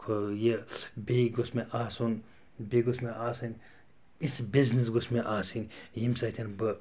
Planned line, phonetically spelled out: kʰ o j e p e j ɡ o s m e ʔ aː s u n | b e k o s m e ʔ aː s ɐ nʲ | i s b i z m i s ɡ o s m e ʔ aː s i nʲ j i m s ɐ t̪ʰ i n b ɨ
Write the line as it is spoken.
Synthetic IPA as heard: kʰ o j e b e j ɡ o s m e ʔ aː s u n | b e ɡ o s m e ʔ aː s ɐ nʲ | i s b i z n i s ɡ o s m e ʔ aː s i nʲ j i m s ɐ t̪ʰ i n b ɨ

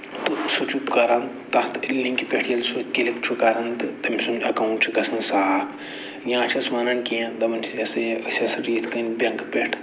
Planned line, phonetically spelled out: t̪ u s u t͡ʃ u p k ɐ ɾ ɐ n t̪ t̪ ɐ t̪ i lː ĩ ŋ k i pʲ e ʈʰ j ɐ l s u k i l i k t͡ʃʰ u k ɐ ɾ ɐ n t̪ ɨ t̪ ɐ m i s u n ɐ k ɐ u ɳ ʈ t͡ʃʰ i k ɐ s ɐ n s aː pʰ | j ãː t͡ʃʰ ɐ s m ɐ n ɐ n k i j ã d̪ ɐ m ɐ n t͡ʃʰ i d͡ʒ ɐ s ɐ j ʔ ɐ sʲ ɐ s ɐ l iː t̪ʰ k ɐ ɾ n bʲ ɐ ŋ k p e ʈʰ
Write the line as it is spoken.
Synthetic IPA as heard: t̪ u s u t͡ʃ u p k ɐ ɾ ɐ n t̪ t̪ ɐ t̪ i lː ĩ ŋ k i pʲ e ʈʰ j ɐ l s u k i l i k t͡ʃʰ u k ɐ ɾ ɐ n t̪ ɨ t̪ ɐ m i s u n ɐ k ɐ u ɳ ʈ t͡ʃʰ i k ɐ s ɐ n s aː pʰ | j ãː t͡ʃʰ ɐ s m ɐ n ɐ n k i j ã d̪ ɐ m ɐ n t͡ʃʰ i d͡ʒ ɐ s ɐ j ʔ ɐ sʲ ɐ s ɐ ɾ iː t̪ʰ k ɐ n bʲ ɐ ŋ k p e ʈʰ

